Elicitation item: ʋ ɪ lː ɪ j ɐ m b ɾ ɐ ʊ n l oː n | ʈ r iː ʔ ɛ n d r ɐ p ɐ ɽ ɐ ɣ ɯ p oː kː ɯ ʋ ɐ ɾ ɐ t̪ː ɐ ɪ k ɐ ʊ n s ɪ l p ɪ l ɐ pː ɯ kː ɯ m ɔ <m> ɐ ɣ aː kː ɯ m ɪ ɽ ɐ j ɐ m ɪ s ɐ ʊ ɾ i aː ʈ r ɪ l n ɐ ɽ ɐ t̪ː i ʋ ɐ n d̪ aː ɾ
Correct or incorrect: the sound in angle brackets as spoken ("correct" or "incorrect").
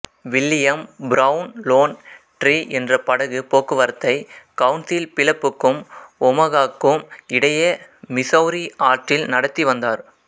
correct